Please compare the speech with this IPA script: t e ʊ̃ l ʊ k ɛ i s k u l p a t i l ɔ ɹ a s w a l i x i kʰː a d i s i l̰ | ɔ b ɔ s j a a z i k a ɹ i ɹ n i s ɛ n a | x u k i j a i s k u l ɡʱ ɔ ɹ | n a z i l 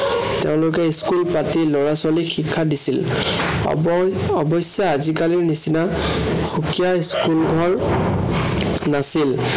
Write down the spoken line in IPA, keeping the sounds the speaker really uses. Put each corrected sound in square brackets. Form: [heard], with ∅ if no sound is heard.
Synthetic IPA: t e ʊ̃ l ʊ k ɛ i s k u l p a t i l ɔ ɹ a s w a l i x i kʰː a d i s i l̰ | ɔ b ɔ s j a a z i k a [l] i ɹ n i s [i] n a | x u k i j a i s k u l ɡʱ ɔ ɹ | n a [s] i l